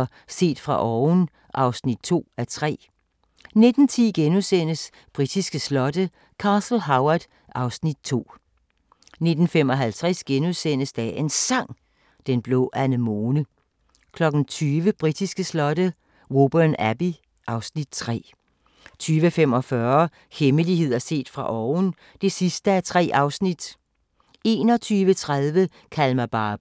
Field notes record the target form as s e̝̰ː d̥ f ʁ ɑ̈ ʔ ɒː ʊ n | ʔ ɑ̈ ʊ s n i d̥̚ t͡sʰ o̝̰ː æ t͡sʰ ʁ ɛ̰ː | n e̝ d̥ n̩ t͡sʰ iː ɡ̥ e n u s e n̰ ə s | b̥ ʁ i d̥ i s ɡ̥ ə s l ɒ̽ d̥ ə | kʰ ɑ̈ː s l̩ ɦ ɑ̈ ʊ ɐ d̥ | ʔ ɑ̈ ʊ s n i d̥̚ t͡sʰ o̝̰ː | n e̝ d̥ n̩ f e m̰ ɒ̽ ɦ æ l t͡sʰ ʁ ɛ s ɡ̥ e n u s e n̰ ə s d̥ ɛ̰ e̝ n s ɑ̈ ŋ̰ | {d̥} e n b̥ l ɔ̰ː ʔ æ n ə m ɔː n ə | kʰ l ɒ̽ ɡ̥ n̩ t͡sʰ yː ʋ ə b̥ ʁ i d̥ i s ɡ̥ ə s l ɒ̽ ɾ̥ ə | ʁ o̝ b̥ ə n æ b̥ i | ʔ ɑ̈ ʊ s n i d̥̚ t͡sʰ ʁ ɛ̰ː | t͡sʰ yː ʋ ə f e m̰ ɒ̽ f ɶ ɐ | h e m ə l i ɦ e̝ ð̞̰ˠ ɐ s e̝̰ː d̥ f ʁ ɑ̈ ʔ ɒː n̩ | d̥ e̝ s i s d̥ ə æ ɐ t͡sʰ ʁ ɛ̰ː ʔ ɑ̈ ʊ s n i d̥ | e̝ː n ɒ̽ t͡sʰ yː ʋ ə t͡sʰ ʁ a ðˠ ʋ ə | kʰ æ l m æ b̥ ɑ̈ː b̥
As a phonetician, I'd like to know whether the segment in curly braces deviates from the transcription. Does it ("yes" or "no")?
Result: no